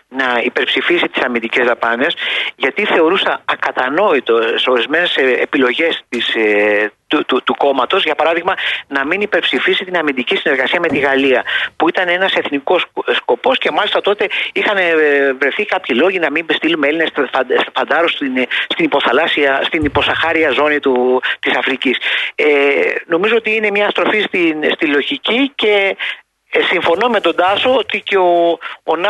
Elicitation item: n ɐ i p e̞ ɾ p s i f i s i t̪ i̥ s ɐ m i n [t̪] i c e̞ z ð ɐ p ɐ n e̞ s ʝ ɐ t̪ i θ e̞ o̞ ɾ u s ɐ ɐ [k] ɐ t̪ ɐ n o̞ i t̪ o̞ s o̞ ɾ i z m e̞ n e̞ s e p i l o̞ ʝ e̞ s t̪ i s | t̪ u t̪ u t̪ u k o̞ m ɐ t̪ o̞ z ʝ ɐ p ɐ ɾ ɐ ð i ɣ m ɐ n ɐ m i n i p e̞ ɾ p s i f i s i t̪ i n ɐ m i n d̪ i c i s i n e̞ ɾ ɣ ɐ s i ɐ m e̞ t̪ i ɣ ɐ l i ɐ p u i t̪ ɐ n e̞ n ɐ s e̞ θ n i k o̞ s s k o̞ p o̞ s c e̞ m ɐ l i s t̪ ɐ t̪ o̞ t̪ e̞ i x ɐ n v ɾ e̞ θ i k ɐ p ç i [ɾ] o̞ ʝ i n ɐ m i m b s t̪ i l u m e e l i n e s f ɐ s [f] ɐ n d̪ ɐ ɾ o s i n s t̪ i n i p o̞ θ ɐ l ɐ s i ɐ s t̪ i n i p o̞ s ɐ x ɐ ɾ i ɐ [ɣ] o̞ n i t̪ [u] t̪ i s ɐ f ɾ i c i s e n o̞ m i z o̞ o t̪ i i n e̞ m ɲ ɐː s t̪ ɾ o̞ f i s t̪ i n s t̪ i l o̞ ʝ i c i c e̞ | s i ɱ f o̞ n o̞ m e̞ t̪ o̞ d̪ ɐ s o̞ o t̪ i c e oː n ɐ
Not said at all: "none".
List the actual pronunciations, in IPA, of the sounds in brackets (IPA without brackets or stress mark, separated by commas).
d̪, k, l, f, z, u